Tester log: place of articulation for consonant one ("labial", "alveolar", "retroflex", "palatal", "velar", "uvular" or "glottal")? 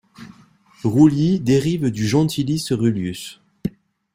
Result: uvular